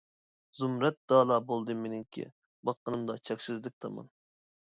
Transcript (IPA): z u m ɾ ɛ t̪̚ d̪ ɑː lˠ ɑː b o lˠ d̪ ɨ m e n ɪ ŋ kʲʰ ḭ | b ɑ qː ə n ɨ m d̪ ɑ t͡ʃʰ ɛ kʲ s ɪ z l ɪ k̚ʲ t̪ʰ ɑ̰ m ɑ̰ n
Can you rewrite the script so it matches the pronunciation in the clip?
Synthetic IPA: z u m ɾ ɛ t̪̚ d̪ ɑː lˠ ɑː b o lˠ d̪ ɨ m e n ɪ ŋ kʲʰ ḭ | b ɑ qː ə n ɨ m d̪ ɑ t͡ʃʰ ɛ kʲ s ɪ z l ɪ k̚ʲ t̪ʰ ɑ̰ m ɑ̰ n